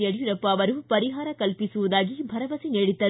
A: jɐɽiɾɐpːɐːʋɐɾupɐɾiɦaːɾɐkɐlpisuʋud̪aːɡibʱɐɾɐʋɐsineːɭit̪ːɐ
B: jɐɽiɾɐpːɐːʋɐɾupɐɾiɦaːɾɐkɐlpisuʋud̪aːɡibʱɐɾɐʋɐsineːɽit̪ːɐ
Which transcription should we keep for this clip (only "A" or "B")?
B